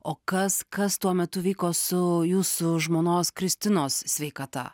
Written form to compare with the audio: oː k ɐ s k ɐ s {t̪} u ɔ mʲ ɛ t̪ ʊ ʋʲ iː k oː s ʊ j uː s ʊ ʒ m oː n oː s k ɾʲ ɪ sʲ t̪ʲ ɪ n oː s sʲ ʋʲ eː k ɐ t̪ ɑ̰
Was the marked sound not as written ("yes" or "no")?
no